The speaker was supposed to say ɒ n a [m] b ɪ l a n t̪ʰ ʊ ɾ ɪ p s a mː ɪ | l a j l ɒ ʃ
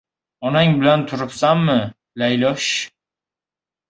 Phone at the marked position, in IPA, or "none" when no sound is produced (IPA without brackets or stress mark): ŋ